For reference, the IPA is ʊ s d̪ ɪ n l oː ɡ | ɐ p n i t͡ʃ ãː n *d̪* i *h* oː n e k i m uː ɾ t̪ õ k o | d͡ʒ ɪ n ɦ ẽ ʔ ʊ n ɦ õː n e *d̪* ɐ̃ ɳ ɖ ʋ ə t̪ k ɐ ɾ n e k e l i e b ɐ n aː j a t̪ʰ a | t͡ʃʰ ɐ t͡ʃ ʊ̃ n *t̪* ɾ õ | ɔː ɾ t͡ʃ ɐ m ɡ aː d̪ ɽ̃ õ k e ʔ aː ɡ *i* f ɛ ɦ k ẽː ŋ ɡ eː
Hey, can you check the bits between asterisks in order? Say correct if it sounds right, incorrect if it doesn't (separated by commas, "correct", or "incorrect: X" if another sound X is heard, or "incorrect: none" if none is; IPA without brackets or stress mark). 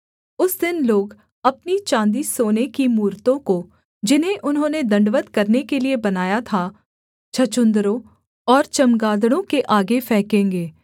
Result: correct, incorrect: s, correct, incorrect: d̪, incorrect: e